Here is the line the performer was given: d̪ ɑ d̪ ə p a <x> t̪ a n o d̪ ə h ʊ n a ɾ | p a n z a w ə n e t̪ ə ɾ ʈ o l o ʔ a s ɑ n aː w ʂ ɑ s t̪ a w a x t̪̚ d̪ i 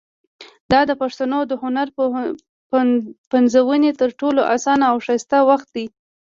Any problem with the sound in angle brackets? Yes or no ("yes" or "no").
yes